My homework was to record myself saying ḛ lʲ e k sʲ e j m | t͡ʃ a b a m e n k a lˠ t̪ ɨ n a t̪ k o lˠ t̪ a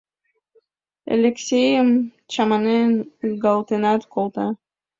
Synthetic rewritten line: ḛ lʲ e k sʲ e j m | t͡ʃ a m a n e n ɡ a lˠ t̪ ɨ n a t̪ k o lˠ t̪ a